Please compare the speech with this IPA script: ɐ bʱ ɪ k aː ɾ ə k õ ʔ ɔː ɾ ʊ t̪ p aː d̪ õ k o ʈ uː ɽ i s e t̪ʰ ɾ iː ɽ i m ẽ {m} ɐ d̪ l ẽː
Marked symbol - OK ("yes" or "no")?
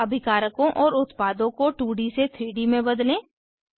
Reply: no